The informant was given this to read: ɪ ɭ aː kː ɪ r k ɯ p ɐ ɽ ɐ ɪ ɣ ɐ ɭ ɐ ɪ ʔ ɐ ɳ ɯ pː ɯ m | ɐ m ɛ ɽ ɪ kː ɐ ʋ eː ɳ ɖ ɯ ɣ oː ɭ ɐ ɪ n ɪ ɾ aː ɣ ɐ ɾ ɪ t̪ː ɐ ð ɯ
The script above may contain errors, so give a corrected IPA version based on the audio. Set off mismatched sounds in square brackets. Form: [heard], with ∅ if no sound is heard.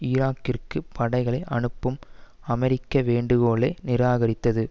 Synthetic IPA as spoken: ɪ [ɾ] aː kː ɪ r k ɯ p ɐ ɽ ɐ ɪ ɣ ɐ ɭ ɐ ɪ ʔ ɐ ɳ ɯ pː ɯ m | ɐ m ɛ [ɾ] ɪ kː ɐ ʋ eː ɳ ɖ ɯ ɣ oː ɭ ɐ ɪ n ɪ ɾ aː ɣ ɐ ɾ ɪ t̪ː ɐ ð ɯ